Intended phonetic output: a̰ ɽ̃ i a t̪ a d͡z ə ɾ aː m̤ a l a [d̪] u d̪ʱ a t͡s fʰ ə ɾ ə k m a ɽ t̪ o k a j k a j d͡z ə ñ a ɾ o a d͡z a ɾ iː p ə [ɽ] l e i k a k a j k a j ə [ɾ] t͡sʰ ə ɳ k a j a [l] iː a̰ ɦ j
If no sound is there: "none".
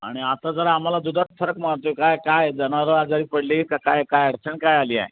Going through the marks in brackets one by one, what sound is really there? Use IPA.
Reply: d̪, ɽ, ɽ, l

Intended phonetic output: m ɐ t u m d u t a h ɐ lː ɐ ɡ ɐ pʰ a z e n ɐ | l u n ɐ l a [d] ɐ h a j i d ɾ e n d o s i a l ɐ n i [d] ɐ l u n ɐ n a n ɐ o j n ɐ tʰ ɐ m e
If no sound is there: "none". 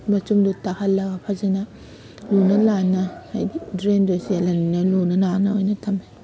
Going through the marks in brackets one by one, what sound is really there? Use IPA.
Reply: n, n

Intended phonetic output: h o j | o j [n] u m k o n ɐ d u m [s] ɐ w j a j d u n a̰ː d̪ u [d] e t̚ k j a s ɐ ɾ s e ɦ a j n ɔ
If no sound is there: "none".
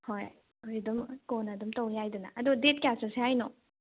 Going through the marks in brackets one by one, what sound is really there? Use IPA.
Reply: d, t, d

